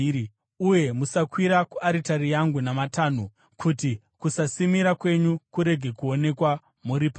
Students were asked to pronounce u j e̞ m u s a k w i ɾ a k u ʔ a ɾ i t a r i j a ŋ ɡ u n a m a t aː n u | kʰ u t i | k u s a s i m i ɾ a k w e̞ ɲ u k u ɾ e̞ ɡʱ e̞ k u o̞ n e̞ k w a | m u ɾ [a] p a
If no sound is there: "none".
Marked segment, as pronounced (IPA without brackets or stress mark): i